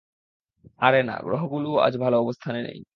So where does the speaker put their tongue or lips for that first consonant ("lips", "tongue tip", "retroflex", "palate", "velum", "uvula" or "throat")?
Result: tongue tip